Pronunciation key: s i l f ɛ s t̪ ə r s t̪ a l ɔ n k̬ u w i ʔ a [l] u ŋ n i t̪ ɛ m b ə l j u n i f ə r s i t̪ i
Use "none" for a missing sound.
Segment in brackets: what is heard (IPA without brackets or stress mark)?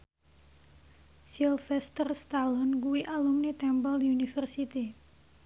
l